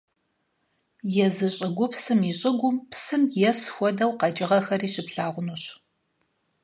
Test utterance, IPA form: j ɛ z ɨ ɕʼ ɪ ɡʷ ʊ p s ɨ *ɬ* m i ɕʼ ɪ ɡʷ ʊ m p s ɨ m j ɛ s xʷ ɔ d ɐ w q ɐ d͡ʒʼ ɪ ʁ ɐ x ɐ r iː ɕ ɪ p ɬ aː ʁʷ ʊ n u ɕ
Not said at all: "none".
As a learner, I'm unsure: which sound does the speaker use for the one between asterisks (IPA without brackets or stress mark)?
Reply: none